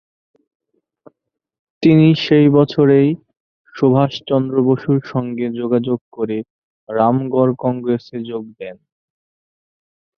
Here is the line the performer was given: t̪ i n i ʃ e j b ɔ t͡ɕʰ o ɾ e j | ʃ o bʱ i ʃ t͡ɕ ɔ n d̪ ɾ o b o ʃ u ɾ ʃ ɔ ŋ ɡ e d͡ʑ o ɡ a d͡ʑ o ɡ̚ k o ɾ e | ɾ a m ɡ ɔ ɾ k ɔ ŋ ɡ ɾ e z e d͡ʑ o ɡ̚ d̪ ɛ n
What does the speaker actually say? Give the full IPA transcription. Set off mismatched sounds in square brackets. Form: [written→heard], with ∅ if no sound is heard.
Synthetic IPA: t̪ i n i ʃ e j b ɔ t͡ɕʰ o ɾ e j | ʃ o bʱ [i→a] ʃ t͡ɕ ɔ n d̪ ɾ o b o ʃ u ɾ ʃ ɔ ŋ ɡ e d͡ʑ o ɡ a d͡ʑ o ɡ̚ k o ɾ e | ɾ a m ɡ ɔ ɾ k ɔ ŋ ɡ ɾ e [z→s] e d͡ʑ o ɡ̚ d̪ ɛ n